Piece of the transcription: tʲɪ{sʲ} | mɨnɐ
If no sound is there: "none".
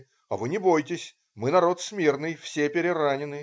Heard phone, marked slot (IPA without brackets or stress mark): sʲ